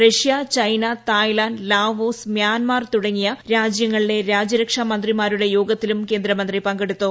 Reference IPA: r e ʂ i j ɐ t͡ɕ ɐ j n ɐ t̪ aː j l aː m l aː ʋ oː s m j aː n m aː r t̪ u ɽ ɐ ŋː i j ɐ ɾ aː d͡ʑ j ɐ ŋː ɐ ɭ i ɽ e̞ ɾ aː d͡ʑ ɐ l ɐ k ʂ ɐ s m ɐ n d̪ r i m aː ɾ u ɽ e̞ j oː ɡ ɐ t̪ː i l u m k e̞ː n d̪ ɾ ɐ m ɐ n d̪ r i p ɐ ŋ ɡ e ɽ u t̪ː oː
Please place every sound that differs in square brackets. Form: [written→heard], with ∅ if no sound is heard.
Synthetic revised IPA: r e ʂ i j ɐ t͡ɕ ɐ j n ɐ t̪ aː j l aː [m→n] l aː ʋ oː s m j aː n m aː r t̪ u ɽ ɐ ŋː i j ɐ ɾ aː d͡ʑ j ɐ ŋː ɐ ɭ i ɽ e̞ ɾ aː d͡ʑ ɐ [l→ɾ] ɐ k ʂ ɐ [s→∅] m ɐ n d̪ r i m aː ɾ u ɽ e̞ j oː ɡ ɐ t̪ː i l u m k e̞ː n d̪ ɾ ɐ m ɐ n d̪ r i p ɐ ŋ ɡ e ɽ u t̪ː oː